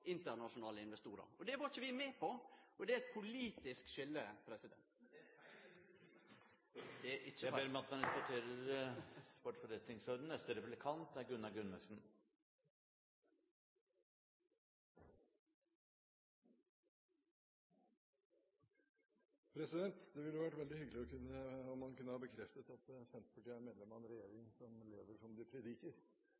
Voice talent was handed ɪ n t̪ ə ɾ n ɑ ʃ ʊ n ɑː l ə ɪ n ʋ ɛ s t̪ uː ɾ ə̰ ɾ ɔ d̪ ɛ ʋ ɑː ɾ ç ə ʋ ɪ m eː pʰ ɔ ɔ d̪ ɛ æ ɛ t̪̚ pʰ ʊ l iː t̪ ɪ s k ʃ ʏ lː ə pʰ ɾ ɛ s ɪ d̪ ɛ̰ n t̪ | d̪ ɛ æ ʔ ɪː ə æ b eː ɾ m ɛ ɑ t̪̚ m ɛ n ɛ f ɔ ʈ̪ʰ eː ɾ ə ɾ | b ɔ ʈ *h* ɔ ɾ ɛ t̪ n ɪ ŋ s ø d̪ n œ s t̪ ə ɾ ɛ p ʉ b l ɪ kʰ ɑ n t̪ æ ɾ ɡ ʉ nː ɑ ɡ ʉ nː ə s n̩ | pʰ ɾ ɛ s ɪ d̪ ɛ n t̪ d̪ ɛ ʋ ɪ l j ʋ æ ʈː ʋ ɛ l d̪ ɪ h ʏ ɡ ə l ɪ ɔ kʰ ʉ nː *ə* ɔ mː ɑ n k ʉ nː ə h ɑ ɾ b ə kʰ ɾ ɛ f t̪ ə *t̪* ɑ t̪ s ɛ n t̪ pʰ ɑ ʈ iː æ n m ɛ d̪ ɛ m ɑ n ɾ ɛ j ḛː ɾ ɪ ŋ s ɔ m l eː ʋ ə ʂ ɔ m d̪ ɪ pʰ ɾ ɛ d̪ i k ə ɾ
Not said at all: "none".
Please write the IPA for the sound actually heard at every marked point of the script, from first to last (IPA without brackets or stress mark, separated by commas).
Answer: f, ə, t̪